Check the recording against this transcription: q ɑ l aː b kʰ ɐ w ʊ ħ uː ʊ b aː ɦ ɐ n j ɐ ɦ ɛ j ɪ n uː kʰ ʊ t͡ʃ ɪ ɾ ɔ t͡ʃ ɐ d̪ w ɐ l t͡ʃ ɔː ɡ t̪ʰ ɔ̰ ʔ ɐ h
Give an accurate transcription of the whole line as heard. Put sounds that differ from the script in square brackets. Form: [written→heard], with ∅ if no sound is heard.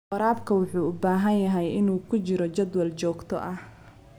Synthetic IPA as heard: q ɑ [l→ɾ] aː b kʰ ɐ w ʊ ħ uː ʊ b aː ɦ ɐ n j ɐ ɦ ɛ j ɪ n uː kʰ ʊ t͡ʃ ɪ ɾ ɔ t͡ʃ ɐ d̪ w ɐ l t͡ʃ ɔː ɡ t̪ʰ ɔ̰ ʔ ɐ h